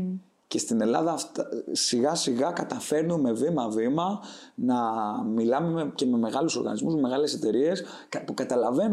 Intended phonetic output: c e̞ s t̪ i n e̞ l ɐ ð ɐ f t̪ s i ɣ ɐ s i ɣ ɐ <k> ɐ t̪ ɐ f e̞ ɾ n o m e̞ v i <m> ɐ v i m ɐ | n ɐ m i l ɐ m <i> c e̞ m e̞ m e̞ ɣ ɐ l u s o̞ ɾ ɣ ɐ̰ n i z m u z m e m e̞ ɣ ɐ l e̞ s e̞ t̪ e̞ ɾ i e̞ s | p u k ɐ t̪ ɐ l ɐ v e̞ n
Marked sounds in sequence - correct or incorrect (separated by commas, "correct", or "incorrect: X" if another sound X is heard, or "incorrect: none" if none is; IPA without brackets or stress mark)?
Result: correct, correct, incorrect: e